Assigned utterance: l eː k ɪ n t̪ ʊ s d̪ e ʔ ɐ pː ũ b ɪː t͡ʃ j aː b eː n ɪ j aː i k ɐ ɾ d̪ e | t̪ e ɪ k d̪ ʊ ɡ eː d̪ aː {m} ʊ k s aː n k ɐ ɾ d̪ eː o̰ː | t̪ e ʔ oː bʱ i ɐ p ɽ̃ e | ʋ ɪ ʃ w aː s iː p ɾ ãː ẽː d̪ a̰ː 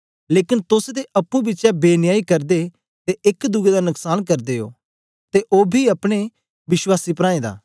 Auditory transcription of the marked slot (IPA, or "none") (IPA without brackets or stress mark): n